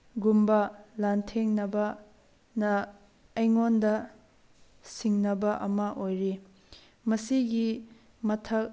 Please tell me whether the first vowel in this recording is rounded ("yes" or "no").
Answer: yes